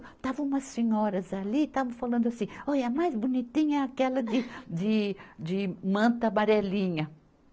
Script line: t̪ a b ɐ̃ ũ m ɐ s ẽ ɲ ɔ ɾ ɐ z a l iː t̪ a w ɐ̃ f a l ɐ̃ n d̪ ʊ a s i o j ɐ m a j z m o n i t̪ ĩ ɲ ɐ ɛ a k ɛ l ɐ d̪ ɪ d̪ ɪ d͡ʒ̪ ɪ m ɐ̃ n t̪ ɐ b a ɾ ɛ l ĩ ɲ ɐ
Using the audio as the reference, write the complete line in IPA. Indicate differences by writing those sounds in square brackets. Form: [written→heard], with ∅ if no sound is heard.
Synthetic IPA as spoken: t̪ a [b→v] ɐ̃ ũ m ɐ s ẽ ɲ ɔ ɾ ɐ z a l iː t̪ a [w→v] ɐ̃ f a l ɐ̃ n d̪ ʊ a s [i→ĩ] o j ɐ m a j z [m→b] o n i t̪ ĩ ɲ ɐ ɛ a k ɛ l ɐ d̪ ɪ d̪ ɪ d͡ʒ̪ ɪ m ɐ̃ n t̪ ɐ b a ɾ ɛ l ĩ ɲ ɐ